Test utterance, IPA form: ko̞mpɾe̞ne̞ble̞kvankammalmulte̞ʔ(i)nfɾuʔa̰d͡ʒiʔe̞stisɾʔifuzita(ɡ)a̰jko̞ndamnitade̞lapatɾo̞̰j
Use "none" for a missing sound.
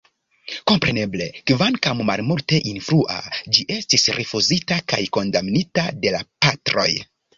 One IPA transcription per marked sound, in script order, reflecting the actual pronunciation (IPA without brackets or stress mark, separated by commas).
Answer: i, k